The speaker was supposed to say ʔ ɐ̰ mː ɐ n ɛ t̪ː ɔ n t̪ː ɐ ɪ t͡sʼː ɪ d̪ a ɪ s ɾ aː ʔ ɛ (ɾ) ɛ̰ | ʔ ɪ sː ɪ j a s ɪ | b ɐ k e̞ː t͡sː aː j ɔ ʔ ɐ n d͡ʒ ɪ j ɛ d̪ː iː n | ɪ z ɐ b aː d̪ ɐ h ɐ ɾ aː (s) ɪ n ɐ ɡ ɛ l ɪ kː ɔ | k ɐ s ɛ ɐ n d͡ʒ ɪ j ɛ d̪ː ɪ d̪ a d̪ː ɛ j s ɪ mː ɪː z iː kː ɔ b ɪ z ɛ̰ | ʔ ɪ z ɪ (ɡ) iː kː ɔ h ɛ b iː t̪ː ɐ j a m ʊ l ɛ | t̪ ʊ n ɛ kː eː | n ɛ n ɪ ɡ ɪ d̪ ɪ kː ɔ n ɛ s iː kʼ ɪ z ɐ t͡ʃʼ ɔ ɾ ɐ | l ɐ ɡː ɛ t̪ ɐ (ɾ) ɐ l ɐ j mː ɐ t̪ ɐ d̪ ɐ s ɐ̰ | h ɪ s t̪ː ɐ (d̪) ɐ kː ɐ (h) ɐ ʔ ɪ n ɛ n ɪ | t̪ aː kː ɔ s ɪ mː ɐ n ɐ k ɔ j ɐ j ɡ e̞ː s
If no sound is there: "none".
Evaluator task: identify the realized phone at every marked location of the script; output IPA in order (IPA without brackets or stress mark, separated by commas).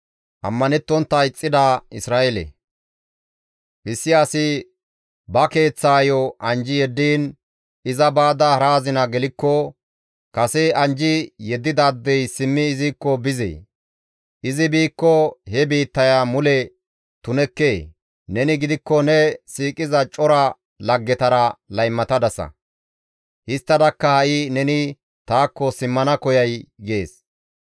l, z, b, ɾ, d̪, h